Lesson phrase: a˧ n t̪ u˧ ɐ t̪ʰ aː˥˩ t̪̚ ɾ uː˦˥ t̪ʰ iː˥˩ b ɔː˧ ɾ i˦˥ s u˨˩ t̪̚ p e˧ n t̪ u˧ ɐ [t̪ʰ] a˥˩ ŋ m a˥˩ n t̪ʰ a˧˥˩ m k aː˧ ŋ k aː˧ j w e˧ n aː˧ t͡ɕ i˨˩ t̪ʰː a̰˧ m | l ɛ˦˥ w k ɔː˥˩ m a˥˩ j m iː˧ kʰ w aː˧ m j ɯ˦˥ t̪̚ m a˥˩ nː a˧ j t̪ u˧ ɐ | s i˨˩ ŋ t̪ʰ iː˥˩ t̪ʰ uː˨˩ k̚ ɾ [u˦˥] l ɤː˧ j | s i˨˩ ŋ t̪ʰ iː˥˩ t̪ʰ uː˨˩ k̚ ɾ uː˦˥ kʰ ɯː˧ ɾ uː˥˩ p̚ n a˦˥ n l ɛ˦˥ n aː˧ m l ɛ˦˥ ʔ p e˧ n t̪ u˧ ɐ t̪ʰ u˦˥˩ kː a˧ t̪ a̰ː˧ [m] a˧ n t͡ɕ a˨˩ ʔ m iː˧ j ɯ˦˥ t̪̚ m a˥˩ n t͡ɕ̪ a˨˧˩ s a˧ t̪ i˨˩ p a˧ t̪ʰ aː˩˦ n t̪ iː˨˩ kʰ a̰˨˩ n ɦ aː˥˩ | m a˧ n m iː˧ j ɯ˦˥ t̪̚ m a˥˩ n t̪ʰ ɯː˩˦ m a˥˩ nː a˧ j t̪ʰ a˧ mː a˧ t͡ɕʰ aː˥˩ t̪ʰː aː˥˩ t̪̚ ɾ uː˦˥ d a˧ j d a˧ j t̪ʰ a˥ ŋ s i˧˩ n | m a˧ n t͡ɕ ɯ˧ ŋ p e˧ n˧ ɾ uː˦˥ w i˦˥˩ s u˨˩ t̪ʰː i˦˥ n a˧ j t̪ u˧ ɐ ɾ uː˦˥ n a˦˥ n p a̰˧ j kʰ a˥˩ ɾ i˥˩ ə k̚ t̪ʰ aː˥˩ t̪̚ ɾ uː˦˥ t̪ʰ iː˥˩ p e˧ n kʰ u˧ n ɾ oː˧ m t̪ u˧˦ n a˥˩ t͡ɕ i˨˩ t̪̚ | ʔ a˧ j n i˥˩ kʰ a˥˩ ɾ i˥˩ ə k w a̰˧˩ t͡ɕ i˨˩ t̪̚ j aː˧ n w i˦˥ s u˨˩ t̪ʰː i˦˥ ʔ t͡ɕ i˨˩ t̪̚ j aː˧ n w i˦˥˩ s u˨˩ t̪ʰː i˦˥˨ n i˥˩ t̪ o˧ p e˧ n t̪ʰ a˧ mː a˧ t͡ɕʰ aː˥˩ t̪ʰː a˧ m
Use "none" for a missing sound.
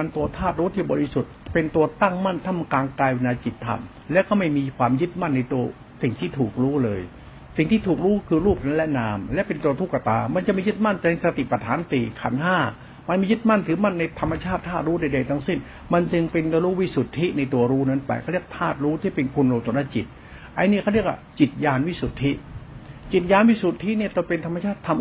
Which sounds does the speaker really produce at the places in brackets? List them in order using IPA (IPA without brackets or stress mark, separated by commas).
t̪, uː˦˥, m